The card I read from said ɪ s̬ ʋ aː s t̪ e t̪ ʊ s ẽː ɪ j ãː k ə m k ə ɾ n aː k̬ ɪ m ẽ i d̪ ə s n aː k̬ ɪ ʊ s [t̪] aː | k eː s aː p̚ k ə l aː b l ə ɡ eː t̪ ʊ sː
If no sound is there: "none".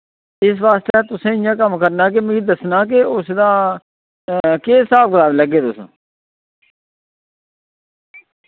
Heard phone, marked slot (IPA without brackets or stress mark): d̪